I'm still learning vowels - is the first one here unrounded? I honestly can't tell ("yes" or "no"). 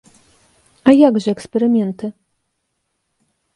yes